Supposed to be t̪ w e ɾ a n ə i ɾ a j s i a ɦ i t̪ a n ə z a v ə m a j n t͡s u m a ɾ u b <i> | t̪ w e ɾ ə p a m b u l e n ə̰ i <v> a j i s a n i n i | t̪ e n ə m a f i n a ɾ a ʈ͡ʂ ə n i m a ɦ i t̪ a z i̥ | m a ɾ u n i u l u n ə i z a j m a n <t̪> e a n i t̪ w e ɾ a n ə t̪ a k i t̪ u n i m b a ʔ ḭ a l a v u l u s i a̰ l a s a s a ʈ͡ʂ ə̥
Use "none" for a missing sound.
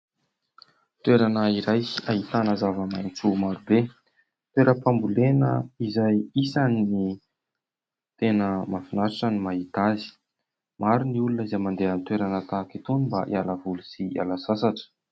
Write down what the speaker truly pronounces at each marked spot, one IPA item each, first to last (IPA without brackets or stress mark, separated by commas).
e, z, d̪